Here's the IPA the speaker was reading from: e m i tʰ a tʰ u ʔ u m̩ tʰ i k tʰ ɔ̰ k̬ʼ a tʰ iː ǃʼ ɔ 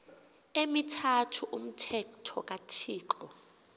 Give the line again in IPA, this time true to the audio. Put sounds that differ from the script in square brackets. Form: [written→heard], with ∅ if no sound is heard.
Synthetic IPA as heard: e m i tʰ a tʰ u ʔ u m̩ tʰ [i→ɛ] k tʰ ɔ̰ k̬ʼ a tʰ iː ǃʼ ɔ